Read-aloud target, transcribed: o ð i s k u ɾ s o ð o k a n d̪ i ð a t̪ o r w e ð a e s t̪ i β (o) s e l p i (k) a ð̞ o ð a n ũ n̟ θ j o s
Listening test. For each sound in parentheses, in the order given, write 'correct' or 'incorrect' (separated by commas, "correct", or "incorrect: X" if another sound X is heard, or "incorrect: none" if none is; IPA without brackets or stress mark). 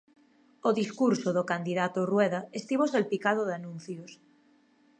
correct, correct